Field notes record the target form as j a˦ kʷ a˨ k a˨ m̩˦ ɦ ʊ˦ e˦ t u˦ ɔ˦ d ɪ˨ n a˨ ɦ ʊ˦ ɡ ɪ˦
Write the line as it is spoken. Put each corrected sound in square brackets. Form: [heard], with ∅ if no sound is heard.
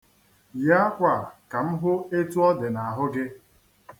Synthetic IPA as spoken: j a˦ kʷ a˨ k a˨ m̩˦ ɦ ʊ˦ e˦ t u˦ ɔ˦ d ɪ˨ n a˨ ɦ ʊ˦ ɡ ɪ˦